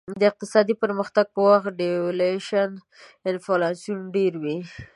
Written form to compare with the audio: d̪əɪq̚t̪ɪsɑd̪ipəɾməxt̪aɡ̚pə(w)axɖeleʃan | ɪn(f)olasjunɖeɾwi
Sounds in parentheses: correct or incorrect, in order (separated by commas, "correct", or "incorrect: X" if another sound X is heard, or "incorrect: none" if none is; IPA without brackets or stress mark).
correct, correct